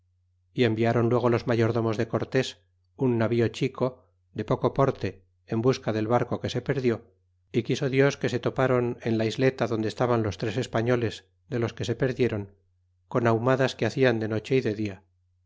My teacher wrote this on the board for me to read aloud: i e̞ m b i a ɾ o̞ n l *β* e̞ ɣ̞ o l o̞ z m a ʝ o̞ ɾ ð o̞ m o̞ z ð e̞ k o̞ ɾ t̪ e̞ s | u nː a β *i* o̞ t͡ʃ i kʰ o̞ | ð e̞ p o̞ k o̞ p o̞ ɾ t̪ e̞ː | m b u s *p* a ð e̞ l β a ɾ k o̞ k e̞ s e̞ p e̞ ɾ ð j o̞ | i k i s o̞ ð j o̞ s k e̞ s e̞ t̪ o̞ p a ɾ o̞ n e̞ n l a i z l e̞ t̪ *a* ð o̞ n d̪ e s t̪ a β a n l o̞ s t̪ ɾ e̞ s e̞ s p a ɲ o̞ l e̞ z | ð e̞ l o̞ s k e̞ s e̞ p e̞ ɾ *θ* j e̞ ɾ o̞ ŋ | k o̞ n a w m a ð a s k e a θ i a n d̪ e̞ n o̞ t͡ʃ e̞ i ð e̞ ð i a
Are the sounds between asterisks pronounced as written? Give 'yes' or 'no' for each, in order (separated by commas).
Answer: no, yes, no, yes, no